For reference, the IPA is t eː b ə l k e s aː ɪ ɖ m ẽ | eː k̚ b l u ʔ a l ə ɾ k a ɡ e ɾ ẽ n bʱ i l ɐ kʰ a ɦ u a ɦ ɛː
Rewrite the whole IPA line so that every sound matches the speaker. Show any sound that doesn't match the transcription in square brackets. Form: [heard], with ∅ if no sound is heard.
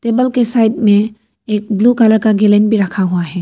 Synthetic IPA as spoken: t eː b ə l k e s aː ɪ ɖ m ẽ | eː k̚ b l u [k] a l ə ɾ k a ɡ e [l] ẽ n bʱ i [ɾ] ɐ kʰ a ɦ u a ɦ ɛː